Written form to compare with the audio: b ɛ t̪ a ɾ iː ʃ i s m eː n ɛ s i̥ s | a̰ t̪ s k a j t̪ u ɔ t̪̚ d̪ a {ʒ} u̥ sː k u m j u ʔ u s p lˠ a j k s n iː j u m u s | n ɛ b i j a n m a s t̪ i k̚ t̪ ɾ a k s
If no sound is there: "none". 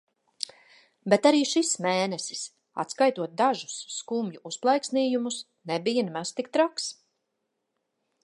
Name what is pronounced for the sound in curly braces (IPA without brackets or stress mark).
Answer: ʒ